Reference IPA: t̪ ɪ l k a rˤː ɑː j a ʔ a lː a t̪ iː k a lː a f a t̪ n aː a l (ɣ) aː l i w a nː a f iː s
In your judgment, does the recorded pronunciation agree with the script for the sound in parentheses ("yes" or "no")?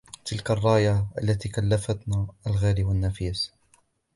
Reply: yes